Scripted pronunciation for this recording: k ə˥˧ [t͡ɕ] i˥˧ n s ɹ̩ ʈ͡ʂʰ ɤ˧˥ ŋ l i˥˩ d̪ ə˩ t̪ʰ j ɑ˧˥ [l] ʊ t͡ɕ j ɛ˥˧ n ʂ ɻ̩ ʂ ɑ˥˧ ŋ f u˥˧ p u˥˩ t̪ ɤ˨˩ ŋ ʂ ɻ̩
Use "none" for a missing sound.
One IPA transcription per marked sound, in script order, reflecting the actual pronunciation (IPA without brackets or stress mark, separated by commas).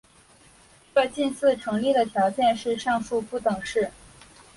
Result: t͡ɕ, none